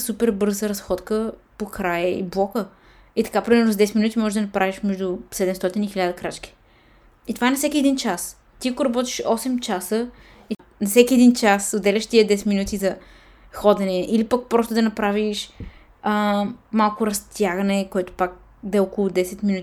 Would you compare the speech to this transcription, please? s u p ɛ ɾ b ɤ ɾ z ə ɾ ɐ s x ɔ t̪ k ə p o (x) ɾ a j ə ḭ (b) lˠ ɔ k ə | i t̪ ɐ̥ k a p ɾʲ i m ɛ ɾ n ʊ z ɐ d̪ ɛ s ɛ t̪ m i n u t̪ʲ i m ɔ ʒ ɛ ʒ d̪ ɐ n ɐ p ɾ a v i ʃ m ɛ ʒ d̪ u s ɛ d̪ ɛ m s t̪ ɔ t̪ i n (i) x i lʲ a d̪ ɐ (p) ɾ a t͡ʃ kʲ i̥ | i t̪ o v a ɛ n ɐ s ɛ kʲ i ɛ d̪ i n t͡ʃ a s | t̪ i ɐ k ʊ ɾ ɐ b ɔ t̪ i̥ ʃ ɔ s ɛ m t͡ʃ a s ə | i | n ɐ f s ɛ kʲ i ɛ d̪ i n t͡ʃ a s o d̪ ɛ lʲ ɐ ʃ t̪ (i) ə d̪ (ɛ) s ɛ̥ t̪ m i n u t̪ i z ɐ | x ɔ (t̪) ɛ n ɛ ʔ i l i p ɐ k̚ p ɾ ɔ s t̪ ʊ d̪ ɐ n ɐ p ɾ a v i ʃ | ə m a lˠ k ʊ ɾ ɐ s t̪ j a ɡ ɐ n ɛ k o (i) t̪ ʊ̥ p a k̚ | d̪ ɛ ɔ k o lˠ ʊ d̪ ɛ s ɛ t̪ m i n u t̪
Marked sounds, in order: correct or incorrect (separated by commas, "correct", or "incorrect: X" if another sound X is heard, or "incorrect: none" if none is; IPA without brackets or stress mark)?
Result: incorrect: k, correct, correct, incorrect: k, correct, correct, incorrect: d̪, incorrect: ɛ